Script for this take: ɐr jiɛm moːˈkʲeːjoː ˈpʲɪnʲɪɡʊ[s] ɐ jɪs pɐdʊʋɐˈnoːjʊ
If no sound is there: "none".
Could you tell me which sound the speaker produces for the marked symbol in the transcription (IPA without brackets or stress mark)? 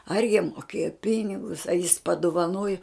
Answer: s